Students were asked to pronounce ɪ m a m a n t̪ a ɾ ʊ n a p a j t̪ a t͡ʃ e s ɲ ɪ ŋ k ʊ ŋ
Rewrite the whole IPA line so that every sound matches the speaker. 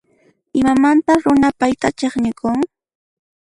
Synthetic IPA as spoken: ɪ m a m a n t̪ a ɾ ʊ n a p a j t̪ a t͡ʃ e χ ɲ ɪ k ʊ ŋ